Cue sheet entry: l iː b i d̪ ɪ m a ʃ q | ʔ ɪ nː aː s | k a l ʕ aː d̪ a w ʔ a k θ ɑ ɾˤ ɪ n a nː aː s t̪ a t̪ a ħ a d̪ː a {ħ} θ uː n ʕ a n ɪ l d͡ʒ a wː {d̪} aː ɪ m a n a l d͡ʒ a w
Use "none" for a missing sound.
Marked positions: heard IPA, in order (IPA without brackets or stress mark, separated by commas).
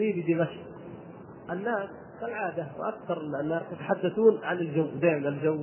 none, d̪